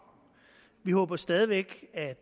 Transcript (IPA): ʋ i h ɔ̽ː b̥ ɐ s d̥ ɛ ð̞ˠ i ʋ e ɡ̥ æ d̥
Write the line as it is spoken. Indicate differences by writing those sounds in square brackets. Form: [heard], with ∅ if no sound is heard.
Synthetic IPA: ʋ i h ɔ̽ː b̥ ɐ s d̥ ɛ ð̞ˠ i ʋ e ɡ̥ æ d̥